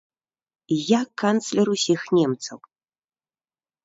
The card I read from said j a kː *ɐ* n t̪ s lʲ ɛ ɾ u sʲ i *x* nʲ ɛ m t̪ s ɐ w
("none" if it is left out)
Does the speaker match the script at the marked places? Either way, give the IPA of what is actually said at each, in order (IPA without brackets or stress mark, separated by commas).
a, x